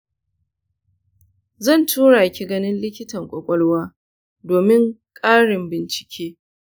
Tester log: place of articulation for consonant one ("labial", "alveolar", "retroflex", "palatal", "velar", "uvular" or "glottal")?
alveolar